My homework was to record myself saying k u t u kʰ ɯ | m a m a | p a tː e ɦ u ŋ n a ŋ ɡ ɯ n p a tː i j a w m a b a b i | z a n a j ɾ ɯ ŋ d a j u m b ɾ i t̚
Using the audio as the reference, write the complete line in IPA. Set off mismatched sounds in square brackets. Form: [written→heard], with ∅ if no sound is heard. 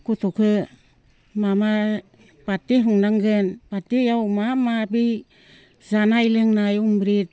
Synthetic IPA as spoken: k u t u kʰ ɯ | m a m a | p a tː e ɦ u ŋ n a ŋ ɡ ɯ n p a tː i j a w m a [b→m] a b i | z a n a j [ɾ→l] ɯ ŋ [d→n] a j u m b ɾ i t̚